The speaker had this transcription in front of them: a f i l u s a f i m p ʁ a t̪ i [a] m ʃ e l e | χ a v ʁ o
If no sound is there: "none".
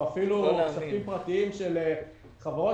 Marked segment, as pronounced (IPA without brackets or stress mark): i